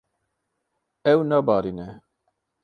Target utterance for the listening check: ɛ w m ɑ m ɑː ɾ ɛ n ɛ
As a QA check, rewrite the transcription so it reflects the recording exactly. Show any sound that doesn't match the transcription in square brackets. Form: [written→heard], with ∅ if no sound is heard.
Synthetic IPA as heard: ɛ w [m→n] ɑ [m→b] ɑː ɾ [ɛ→i] n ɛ